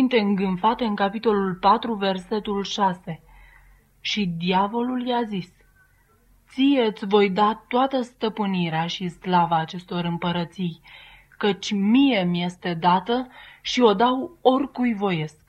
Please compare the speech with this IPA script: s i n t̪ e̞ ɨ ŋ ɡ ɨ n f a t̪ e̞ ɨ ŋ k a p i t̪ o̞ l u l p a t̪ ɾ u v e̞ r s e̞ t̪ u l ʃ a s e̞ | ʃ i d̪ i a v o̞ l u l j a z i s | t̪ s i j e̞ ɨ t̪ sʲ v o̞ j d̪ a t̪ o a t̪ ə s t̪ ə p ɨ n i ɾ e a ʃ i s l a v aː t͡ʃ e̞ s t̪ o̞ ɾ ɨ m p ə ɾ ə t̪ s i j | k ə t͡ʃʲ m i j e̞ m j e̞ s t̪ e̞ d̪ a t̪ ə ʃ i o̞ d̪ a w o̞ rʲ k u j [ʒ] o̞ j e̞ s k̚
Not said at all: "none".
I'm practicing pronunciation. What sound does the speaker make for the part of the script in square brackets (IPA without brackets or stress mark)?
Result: v